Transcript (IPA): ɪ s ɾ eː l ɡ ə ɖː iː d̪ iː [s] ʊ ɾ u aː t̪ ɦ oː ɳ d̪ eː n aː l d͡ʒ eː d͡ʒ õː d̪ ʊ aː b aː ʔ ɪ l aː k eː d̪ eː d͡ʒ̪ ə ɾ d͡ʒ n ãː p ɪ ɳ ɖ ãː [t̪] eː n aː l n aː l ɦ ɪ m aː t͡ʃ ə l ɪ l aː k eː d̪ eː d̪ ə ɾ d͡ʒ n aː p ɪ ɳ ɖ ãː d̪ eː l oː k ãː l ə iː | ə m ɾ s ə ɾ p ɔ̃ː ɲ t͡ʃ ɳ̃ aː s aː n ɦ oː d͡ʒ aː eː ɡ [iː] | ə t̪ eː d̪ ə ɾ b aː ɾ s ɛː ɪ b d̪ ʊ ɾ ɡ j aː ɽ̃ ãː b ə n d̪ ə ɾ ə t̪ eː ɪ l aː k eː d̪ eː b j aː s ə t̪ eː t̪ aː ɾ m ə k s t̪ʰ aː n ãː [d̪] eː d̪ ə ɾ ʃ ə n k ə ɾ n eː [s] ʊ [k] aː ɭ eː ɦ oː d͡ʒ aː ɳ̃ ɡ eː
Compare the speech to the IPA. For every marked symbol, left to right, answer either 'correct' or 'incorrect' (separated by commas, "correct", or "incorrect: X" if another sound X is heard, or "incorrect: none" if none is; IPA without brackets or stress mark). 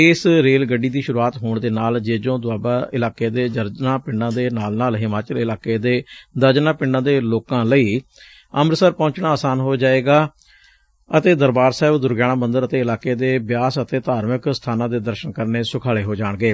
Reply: incorrect: ʃ, incorrect: d̪, incorrect: aː, correct, correct, incorrect: kʰ